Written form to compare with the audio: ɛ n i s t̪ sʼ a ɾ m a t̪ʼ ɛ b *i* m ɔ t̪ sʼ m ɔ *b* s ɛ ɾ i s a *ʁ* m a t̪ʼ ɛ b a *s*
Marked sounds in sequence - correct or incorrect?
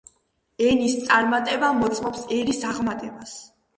incorrect: a, incorrect: p, correct, correct

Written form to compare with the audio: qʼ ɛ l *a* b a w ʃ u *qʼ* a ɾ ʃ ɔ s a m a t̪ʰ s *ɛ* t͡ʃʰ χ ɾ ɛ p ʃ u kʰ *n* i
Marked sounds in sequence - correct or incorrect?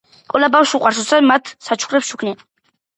correct, correct, incorrect: a, correct

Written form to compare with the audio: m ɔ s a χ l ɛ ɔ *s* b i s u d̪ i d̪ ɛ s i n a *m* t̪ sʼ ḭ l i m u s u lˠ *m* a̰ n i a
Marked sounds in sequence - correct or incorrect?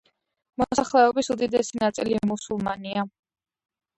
incorrect: none, incorrect: none, correct

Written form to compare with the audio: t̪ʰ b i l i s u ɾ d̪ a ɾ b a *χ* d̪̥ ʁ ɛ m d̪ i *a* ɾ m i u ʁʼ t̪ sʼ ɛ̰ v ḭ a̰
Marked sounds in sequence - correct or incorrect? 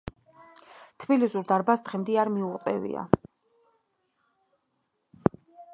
incorrect: s, correct

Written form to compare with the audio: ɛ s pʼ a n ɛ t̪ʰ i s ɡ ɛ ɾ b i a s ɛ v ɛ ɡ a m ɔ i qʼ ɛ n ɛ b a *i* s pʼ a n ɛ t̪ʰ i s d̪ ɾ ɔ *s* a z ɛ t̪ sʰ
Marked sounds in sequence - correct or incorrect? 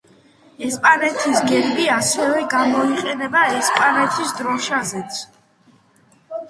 incorrect: ɛ, incorrect: ʃ

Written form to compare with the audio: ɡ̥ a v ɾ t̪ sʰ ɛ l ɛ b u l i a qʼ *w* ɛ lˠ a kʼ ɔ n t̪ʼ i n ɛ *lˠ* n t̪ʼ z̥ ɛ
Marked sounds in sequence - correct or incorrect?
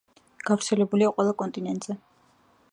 correct, incorrect: none

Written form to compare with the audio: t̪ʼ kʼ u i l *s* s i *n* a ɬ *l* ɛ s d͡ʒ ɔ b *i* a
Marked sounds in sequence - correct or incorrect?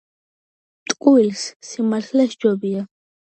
correct, incorrect: m, correct, correct

